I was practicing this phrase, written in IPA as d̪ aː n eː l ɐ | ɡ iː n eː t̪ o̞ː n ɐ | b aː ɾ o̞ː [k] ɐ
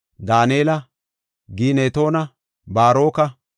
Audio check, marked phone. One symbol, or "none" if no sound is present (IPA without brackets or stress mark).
k